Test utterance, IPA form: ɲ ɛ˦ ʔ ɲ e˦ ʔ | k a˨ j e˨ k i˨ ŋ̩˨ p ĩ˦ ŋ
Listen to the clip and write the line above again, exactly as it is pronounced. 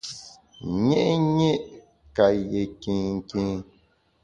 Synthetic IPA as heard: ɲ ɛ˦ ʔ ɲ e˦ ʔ | k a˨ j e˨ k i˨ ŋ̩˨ k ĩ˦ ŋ